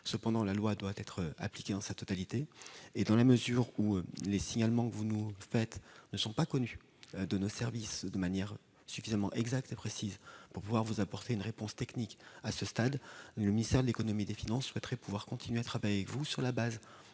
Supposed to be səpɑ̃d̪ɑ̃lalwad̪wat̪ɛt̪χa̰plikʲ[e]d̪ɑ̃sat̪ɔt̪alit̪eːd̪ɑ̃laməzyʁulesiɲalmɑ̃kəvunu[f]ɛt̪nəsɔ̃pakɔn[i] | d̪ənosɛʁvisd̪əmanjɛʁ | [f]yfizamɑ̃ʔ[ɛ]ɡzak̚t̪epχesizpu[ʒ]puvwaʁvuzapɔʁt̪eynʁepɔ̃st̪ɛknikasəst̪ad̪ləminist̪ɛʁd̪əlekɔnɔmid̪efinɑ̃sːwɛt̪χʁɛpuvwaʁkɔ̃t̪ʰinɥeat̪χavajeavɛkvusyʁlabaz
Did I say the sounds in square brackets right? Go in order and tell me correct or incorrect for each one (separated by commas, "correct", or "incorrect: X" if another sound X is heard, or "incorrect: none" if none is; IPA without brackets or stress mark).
correct, correct, incorrect: y, incorrect: s, correct, incorrect: ʁ